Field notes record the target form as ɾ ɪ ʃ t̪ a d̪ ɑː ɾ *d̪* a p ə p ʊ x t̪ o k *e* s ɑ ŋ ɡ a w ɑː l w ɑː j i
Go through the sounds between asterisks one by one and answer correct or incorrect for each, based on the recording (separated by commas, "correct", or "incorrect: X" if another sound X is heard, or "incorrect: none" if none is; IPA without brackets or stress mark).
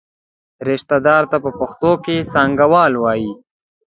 incorrect: t̪, correct